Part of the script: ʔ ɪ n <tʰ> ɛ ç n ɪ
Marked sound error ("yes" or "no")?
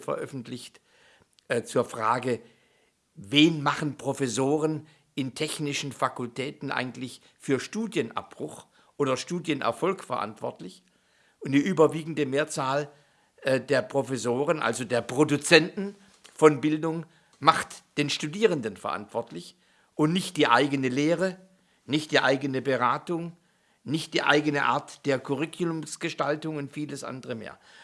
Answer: no